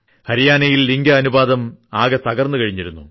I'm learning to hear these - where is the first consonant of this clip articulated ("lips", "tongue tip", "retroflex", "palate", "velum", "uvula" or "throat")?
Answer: throat